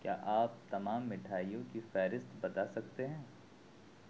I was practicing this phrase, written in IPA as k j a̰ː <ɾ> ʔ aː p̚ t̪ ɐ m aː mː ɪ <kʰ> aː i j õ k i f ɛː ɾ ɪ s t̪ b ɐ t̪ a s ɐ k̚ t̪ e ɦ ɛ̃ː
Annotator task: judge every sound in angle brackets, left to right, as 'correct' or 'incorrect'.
incorrect: none, incorrect: ʈʰ

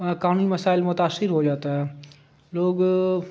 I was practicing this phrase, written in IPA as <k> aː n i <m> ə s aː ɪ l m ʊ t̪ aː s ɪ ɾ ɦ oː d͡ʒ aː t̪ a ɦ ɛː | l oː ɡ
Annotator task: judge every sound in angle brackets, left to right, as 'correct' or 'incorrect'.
correct, correct

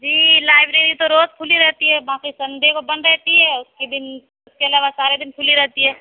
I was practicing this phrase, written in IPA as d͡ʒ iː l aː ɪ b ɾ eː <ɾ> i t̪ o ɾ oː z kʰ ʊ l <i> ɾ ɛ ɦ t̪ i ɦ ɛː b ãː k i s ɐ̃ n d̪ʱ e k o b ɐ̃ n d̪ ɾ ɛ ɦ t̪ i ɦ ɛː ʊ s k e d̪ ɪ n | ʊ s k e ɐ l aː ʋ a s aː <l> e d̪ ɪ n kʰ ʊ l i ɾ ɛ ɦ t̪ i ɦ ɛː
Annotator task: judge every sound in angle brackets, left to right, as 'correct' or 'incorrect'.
correct, correct, incorrect: ɾ

